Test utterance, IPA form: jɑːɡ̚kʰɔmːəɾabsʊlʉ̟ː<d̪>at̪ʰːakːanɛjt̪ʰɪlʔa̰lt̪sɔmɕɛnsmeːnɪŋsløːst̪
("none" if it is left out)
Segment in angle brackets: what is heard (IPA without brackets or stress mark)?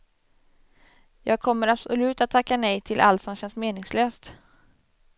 t̪